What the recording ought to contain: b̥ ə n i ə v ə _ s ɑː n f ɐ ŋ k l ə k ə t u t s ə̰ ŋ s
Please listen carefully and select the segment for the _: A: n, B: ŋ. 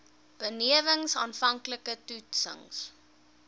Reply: B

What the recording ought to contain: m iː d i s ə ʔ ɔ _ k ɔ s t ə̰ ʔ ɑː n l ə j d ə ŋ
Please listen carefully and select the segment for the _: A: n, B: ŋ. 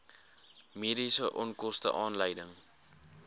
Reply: A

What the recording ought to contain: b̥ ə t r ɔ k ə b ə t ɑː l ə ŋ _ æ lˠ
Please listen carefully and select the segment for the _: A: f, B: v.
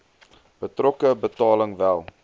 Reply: B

